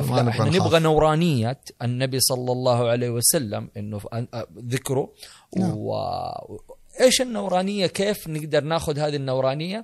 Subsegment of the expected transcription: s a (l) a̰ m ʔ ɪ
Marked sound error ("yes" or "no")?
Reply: yes